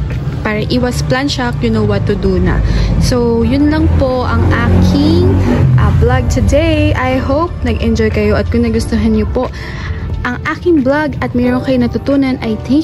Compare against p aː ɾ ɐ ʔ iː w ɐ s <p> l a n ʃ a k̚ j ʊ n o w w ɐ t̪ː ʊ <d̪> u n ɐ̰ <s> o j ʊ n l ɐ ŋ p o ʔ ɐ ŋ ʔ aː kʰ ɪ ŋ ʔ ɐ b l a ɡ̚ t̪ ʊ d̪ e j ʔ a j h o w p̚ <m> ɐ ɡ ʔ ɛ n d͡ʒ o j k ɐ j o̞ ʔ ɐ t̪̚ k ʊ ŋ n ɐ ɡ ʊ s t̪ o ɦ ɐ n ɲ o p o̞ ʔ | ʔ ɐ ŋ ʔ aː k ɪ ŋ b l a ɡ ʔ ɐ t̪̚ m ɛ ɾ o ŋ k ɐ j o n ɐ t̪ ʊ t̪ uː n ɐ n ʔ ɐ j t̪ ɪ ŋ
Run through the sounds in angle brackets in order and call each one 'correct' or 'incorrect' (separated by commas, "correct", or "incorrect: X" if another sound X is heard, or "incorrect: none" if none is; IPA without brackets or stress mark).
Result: correct, correct, correct, incorrect: n